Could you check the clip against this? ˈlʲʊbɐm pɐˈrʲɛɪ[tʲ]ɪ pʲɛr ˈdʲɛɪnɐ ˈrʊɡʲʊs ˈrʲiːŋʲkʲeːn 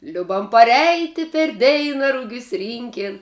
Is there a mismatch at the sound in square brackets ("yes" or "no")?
no